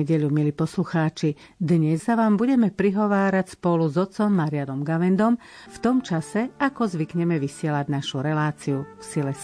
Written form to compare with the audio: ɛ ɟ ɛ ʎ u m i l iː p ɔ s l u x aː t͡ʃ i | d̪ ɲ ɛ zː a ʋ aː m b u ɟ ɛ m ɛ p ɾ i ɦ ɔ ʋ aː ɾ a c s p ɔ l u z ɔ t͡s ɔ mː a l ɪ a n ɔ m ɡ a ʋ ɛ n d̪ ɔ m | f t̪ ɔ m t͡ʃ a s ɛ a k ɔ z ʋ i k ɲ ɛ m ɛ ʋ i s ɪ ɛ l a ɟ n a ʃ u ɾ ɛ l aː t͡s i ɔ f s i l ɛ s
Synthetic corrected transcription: ɛ ɟ ɛ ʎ u m i l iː p ɔ s l u x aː t͡ʃ i | d̪ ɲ ɛ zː a ʋ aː m b u ɟ ɛ m ɛ p ɾ i ɦ ɔ ʋ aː ɾ a c s p ɔ l u z ɔ t͡s ɔ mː a ɾ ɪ a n ɔ m ɡ a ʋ ɛ n d̪ ɔ m | f t̪ ɔ m t͡ʃ a s ɛ a k ɔ z ʋ i k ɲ ɛ m ɛ ʋ i s ɪ ɛ l a ɟ n a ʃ u ɾ ɛ l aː t͡s i u f s i l ɛ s